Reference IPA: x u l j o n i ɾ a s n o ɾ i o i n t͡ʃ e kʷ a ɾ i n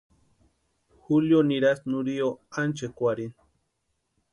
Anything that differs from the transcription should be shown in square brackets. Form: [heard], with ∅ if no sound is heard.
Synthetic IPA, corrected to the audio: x u l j o n i ɾ a s n [u] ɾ i o [a] n t͡ʃ e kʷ a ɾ i n